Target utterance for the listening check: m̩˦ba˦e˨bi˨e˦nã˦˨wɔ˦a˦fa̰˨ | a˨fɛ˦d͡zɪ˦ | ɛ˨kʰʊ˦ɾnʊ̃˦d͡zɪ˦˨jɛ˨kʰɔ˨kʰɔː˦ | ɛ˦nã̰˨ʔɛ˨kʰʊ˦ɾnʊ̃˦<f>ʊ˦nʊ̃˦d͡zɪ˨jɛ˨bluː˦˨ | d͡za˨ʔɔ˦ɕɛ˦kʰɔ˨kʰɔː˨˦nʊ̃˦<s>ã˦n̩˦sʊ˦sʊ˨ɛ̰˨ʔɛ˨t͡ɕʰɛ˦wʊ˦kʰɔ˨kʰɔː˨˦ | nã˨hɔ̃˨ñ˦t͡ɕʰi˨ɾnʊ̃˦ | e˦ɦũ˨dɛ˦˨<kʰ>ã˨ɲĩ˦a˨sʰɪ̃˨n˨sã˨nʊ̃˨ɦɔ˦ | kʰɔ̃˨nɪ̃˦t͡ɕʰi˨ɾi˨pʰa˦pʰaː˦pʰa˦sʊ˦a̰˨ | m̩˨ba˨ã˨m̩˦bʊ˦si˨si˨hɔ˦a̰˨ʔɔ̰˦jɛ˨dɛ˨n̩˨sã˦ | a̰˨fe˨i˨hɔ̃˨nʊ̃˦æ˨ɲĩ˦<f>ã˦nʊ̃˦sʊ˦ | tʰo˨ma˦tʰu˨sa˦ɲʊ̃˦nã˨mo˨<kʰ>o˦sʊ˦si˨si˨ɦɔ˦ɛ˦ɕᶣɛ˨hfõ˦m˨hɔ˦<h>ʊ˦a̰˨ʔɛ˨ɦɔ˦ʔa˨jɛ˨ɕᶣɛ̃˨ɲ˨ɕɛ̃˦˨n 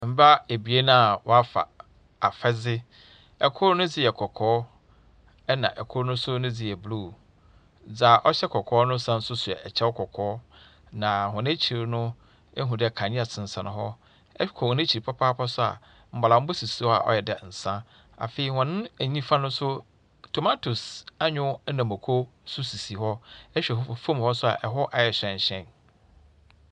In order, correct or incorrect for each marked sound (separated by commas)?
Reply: incorrect, correct, correct, correct, correct, incorrect